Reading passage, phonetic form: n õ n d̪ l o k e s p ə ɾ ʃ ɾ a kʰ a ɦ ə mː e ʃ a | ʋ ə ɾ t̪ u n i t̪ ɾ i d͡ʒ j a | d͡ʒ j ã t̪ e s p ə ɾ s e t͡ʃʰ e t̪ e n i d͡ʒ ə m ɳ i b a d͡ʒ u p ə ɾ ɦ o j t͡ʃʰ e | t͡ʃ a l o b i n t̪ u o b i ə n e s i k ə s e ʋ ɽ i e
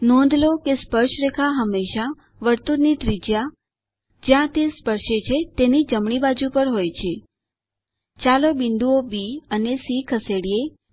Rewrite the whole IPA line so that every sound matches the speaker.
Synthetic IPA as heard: n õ n d̪ l o k e s p ə ɾ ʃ ɾ e kʰ a ɦ ə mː e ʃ a | ʋ ə ɾ t̪ u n i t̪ ɾ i d͡ʒ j a | d͡ʒ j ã t̪ e s p ə ɾ ʃ e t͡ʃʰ e t̪ e n i d͡ʒ ə m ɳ i b a d͡ʒ u p ə ɾ ɦ o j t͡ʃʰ e | t͡ʃ a l o b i n d̪ u o b i ə n e s i kʰ ə s e ɽ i e